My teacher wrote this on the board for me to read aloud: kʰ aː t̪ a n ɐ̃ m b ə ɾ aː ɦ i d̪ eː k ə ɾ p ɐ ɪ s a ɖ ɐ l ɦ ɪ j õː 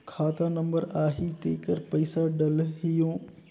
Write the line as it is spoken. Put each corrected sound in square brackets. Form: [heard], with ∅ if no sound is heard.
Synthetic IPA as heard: kʰ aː t̪ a n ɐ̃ m b ə ɾ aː ɦ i [t̪] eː k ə ɾ p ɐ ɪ s a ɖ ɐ l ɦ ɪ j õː

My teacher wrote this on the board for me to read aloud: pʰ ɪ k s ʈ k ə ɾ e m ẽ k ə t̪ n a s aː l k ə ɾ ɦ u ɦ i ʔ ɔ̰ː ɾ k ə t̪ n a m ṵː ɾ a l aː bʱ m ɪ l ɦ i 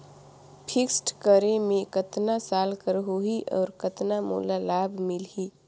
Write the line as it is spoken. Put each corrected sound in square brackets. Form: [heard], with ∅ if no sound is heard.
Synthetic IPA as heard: pʰ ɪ k s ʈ k ə ɾ e m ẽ k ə t̪ n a s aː l k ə ɾ ɦ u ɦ i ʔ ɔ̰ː ɾ k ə t̪ n a m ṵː [l] a l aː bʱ m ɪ l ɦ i

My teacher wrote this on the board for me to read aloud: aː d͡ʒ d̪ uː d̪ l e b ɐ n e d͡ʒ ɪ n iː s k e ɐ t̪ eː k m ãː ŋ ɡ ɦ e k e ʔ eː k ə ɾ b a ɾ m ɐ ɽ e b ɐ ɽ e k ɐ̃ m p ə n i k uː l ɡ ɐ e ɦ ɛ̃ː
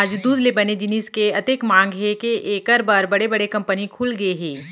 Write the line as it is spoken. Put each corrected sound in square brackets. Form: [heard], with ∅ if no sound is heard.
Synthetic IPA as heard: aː d͡ʒ d̪ uː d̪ l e b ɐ n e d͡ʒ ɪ n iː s k e ɐ t̪ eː k m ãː ŋ ɡ ɦ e k e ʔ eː k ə ɾ b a ɾ [b] ɐ ɽ e b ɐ ɽ e k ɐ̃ m p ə n i [kʰ] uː l ɡ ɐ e ɦ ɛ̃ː

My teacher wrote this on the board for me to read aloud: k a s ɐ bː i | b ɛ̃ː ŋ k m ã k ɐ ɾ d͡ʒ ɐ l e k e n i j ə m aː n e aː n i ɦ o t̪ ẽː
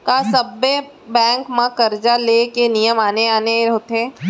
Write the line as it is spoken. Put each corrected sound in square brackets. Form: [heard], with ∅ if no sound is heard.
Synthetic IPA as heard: k a s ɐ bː [e] | b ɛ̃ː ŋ k m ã k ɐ ɾ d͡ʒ [a] l e k e n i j ə m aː n e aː n [e] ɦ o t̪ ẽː

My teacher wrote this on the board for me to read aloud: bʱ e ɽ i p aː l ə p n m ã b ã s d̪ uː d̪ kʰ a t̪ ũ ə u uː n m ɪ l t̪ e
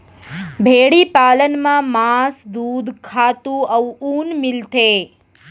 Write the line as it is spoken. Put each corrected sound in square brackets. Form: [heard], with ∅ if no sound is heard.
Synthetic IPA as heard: bʱ e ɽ i p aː l ə [∅] n m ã [m] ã s d̪ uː d̪ kʰ a t̪ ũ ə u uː n m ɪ l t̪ e

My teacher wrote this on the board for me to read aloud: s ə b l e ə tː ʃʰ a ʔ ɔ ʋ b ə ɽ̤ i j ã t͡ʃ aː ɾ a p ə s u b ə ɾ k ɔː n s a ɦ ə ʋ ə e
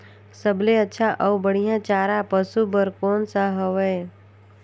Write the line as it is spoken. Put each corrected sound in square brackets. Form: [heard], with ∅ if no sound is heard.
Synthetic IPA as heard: s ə b l e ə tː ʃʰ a ʔ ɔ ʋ b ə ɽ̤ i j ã t͡ʃ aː ɾ a p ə s u b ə ɾ k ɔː n s a ɦ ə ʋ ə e

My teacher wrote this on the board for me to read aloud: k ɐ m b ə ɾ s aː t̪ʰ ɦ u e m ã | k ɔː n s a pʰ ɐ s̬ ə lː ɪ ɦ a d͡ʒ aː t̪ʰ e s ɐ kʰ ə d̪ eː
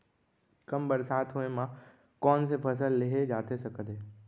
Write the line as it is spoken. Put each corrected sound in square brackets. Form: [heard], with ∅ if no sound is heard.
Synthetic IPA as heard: k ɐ m b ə ɾ s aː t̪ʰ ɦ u e m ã | k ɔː n s [e] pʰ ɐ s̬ ə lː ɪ ɦ [e] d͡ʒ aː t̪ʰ e s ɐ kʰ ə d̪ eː

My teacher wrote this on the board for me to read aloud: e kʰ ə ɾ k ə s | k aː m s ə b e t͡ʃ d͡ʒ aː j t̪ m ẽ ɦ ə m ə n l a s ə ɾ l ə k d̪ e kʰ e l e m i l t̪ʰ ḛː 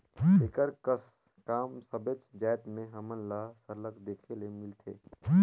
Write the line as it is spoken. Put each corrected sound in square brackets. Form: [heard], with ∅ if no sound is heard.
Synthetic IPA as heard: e [k] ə ɾ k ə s | k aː m s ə b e t͡ʃ d͡ʒ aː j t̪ m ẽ ɦ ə m ə n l a s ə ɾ l ə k d̪ e kʰ e l e m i l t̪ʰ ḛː

